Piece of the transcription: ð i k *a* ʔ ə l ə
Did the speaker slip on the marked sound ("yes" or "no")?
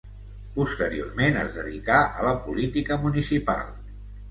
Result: no